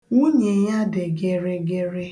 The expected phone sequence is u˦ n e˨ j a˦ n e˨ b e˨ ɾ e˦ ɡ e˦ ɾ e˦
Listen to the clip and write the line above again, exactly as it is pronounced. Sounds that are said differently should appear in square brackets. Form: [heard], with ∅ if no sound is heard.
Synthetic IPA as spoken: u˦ [ɲ] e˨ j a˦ [d] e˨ [ɡ] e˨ ɾ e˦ ɡ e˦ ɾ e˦